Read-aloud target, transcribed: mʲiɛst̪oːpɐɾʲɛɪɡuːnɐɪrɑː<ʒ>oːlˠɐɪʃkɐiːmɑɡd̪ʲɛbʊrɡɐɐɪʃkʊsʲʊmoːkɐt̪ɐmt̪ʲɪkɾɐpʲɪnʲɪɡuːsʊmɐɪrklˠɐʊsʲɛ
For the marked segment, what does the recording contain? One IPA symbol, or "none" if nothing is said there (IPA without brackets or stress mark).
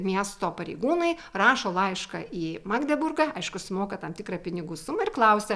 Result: ʃ